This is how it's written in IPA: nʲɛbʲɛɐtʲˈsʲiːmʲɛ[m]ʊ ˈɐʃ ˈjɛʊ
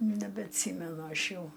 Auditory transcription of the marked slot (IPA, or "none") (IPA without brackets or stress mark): n